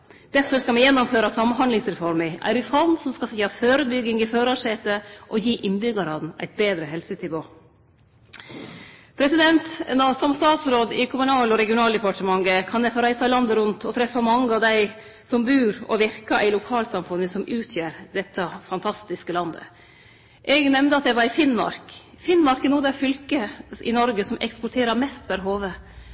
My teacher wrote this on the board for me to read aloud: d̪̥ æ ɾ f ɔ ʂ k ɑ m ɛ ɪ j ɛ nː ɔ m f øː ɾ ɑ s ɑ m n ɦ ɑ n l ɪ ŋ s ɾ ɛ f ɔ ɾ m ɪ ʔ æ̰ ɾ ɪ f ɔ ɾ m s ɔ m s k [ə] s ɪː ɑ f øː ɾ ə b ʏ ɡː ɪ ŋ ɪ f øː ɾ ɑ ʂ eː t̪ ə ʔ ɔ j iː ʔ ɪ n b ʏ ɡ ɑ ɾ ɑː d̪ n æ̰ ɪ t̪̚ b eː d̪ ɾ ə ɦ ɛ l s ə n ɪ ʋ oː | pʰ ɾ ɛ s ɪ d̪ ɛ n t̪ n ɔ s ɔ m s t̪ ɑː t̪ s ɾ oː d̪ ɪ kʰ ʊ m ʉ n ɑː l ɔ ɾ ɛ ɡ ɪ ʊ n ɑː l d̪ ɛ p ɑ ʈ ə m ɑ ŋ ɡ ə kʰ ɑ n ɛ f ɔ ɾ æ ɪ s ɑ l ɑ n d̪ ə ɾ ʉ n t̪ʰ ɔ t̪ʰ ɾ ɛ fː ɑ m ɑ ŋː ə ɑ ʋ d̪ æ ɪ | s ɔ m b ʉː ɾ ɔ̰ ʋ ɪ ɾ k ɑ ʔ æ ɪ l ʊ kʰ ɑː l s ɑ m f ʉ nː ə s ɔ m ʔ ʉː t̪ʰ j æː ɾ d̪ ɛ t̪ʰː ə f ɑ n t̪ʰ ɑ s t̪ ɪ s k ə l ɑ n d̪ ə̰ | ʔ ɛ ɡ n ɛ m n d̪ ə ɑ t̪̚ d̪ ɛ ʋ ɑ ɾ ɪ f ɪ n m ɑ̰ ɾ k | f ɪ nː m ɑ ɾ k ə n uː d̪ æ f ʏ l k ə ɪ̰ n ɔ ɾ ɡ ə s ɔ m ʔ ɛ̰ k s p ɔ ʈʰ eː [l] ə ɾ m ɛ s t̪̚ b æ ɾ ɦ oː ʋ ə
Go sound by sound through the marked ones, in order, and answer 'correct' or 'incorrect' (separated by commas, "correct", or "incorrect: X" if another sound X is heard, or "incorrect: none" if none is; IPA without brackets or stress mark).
incorrect: ɑ, incorrect: ɾ